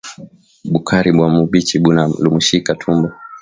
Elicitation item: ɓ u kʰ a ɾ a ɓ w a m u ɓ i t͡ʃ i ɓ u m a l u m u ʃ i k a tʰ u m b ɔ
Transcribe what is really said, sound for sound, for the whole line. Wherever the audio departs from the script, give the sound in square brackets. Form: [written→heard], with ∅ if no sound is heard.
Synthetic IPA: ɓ u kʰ a ɾ [a→i] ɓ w a m u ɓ i t͡ʃ i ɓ u [m→n] a l u m u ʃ i k a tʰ u m b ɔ

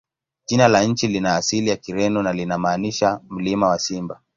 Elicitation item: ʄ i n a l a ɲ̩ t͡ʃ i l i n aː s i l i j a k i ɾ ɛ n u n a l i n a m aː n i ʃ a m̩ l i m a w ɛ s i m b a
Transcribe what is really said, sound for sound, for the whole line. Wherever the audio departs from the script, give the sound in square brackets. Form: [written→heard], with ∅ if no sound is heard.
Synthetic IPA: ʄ i n a l a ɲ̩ t͡ʃ i l i n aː s i l i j a k i ɾ ɛ n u n a l i n a m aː n i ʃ a m̩ l i m a w [ɛ→a] s i m b a

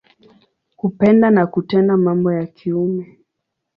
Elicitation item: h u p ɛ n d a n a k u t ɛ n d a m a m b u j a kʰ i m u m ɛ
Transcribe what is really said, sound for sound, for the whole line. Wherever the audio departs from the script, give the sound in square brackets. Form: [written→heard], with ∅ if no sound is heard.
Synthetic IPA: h u p ɛ n d a n a k u t ɛ n d a m a m b [u→ɔ] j a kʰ i [m→∅] u m ɛ

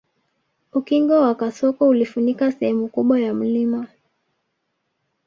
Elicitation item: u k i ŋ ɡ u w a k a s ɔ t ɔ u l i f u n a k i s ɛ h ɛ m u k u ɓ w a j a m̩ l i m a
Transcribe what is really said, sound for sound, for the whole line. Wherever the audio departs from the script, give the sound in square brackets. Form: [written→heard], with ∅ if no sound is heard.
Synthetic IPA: u k i ŋ ɡ [u→ɔ] w a k a s ɔ [t→k] ɔ u l i f u n [a→i] k [i→a] s ɛ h ɛ m u k u ɓ w a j a m̩ l i m a

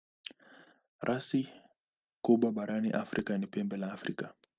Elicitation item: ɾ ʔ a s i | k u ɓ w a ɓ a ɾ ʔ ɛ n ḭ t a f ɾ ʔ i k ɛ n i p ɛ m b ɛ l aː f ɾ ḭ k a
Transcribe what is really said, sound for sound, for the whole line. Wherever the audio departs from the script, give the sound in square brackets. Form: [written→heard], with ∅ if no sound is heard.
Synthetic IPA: ɾ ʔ a s i | k u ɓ w a ɓ a ɾ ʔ [ɛ→a] n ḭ [t→ʔ] a f ɾ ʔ i k [ɛ→a] n i p ɛ m b ɛ l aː f ɾ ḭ k a

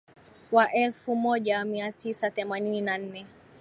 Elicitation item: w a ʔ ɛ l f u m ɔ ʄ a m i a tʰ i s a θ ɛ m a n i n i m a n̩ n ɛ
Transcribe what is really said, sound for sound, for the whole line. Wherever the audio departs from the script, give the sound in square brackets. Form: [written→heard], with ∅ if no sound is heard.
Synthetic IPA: w a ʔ ɛ l f u m ɔ ʄ a m i a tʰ i s a θ ɛ m a n i n i [m→n] a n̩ n ɛ

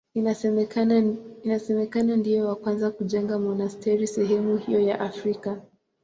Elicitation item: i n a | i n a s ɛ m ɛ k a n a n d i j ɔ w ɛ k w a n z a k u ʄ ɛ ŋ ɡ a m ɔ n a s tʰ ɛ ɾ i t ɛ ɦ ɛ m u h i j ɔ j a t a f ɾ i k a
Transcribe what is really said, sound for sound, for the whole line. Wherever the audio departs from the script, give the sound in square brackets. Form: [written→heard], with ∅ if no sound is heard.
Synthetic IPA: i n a | i n a s ɛ m ɛ k a n a n d i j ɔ w [ɛ→a] k w a n z a k u ʄ ɛ ŋ ɡ a m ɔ n a s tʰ ɛ ɾ i [t→s] ɛ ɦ ɛ m u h i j ɔ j a [t→ʔ] a f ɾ i k a

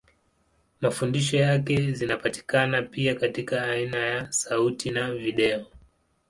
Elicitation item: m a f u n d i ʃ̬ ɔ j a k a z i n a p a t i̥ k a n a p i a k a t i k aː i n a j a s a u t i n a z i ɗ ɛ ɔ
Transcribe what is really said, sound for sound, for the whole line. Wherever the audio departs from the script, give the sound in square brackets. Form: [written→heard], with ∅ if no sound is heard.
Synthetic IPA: m a f u n d i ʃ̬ ɔ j a k [a→ɛ] z i n a p a t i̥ k a n a p i a k a t i k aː i n a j a s a u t i n a [z→v] i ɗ ɛ ɔ

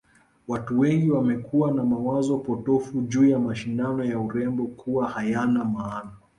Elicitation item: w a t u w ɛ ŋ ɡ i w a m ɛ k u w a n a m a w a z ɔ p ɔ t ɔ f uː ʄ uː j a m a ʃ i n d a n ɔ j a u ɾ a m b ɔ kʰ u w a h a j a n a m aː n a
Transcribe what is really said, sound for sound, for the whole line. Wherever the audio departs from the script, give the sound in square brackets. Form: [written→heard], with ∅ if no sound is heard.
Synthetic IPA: w a t u w ɛ ŋ ɡ i w a m ɛ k u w a n a m a w a z ɔ p ɔ t ɔ f [uː→u] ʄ uː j a m a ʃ i n d a n ɔ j a u ɾ [a→ɛ] m b ɔ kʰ u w a h a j a n a m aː n a

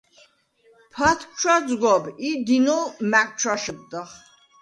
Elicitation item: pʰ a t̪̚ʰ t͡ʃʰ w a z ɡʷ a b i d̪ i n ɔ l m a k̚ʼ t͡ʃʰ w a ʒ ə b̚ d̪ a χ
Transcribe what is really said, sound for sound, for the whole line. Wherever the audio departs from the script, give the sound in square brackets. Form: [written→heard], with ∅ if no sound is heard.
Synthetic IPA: pʰ a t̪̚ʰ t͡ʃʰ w a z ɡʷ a b i d̪ i n ɔ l m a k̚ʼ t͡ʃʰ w a [ʒ→ʃ] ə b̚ d̪ a χ

